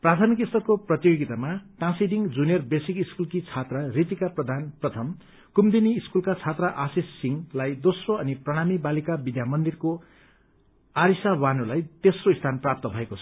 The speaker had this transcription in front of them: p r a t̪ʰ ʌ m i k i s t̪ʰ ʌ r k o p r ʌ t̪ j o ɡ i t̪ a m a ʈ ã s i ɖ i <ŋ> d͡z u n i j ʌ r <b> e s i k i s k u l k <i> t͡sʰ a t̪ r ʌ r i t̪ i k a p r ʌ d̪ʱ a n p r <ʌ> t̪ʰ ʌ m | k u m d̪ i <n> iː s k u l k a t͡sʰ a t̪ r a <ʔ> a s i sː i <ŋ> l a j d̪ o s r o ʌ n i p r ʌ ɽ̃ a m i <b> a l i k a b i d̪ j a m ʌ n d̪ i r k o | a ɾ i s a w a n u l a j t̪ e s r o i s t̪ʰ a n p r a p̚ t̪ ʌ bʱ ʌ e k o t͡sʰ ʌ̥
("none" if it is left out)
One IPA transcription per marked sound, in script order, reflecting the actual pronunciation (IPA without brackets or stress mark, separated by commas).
ŋ, b, i, ʌ, n, ʔ, ŋ, b